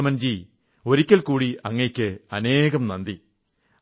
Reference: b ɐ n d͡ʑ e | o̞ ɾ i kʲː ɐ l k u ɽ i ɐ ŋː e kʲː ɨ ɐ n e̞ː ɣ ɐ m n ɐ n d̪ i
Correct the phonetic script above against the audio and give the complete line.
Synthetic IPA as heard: m ɐ n d͡ʑ i | o̞ ɾ i kʲː ɐ l k uː ɽ i ɐ ŋː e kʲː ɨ ɐ n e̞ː ɣ ɐ m n ɐ n d̪ i